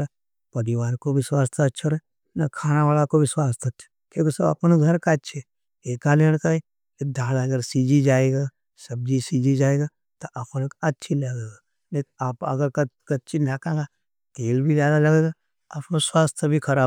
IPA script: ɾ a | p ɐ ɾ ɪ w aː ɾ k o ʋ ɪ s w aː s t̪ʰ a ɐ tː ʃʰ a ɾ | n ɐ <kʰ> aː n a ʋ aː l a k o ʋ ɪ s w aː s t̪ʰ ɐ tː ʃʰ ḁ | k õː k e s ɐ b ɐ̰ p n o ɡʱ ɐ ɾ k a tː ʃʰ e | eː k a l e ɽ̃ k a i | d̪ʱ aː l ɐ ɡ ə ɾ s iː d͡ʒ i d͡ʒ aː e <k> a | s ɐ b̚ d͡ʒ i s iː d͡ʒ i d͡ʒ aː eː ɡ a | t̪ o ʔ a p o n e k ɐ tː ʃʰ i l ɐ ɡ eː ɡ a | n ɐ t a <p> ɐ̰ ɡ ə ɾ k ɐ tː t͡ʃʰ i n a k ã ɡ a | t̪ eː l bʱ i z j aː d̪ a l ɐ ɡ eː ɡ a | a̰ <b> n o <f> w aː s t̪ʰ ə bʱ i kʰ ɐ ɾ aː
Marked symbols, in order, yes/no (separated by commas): yes, no, yes, no, no